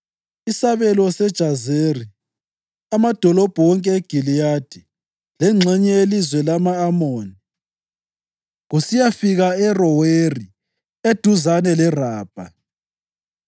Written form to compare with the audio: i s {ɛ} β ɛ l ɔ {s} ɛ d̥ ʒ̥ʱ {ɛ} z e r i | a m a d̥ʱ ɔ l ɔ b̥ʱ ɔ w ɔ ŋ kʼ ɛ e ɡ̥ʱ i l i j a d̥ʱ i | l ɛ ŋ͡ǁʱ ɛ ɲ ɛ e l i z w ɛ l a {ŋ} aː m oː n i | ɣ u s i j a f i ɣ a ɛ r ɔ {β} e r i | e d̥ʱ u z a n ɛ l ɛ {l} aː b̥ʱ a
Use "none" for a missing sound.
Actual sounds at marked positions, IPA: a, s, a, m, w, r

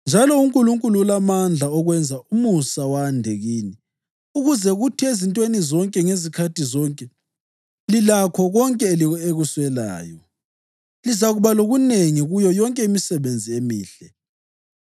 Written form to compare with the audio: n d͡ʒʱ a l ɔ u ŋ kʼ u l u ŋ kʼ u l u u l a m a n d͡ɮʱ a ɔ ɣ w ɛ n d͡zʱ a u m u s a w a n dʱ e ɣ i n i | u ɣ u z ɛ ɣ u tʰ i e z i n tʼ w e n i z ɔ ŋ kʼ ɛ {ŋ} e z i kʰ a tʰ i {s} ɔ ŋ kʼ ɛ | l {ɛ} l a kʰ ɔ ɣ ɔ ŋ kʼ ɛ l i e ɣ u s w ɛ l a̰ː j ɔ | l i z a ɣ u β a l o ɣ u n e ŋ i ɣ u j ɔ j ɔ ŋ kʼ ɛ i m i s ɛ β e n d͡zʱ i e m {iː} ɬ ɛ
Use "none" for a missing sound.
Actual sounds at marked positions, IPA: ŋ, z, i, iː

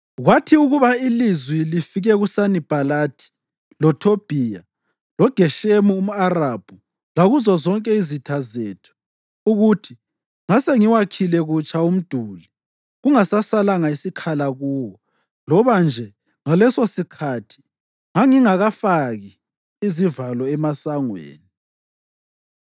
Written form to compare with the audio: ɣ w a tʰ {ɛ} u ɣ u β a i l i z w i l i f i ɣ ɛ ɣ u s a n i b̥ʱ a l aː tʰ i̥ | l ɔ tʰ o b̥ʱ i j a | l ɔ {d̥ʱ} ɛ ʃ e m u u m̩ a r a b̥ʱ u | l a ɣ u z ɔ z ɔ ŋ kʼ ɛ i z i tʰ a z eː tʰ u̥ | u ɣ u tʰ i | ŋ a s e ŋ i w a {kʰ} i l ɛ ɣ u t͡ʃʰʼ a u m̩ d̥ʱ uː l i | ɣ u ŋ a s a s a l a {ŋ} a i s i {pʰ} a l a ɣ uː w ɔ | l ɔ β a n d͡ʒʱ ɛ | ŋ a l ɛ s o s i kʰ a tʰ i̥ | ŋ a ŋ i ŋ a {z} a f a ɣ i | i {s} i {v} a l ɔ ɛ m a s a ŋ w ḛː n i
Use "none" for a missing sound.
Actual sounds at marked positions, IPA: i, ɡ̥ʱ, kʰ, ŋ, kʰ, ɣ, z, v

